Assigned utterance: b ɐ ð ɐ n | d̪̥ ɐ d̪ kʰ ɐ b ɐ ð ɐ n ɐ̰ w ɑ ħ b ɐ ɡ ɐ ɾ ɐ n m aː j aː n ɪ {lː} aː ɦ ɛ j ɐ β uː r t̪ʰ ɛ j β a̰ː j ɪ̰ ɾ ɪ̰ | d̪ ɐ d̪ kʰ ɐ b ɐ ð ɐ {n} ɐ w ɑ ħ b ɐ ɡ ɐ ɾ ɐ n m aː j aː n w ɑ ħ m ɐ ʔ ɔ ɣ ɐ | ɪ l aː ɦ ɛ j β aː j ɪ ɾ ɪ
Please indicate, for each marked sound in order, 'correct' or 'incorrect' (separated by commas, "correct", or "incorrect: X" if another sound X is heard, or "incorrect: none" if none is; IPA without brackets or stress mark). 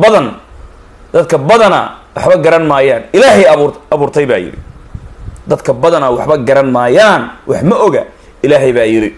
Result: incorrect: l, correct